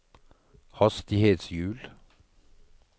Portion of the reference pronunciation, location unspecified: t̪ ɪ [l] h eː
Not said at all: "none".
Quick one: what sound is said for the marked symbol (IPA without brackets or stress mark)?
none